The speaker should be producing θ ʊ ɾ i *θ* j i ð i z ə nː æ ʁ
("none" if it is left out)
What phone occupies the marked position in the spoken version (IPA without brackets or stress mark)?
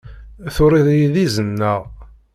ð